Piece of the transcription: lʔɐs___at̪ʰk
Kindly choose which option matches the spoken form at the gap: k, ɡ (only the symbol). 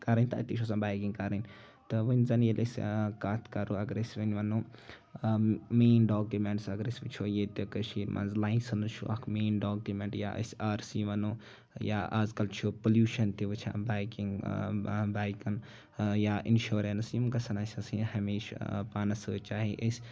k